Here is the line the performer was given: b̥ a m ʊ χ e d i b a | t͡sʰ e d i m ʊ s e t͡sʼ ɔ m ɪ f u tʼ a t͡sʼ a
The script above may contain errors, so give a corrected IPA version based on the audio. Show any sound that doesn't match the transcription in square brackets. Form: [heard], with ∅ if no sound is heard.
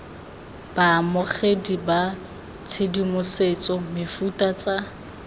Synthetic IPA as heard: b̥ a m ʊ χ e d i b a | t͡sʰ e d i m ʊ s e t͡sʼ ɔ m ɪ f u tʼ a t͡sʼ a